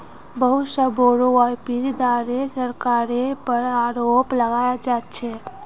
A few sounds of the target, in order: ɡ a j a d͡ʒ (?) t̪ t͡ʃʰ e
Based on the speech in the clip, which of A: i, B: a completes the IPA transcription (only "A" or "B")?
B